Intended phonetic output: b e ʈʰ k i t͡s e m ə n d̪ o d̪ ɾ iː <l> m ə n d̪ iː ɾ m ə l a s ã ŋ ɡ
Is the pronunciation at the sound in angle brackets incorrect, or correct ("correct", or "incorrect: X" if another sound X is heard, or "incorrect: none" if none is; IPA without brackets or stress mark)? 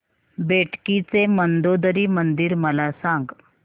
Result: incorrect: none